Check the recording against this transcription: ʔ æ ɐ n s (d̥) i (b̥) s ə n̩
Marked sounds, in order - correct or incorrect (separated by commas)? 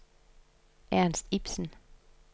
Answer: correct, correct